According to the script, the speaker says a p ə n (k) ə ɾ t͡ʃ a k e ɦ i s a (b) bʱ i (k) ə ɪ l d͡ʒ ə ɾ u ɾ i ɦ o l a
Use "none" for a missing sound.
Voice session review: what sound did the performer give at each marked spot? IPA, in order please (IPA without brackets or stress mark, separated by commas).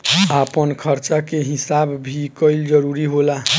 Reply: kʰ, b, k